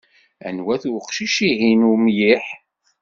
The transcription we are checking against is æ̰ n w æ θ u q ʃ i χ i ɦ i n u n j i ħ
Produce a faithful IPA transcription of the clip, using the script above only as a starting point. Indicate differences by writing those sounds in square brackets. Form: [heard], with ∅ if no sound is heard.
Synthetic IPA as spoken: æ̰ n w æ θ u q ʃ i [ʃ] i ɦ i n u [m] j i ħ